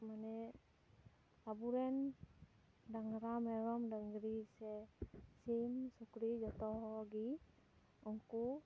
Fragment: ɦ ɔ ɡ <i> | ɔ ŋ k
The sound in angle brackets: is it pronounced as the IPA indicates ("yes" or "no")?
yes